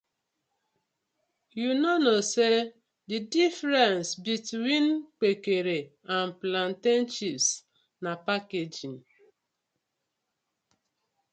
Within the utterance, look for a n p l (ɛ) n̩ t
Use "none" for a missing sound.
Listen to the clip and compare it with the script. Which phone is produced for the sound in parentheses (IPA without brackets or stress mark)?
a